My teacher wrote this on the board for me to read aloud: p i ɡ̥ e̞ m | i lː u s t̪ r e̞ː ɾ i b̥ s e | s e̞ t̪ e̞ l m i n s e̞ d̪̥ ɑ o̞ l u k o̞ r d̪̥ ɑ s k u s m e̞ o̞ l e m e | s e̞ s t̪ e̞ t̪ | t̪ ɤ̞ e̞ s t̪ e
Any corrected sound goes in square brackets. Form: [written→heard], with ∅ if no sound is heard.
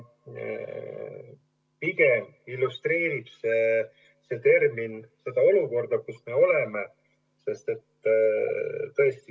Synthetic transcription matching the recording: p i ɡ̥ e̞ m | i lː u s t̪ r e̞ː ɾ i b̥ s e | s e̞ t̪ e̞ [l→r] m i n s e̞ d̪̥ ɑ o̞ l u k o̞ r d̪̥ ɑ [s→∅] k u s m e̞ o̞ l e m e | s e̞ s t̪ e̞ t̪ | t̪ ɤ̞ e̞ s t̪ [e→i]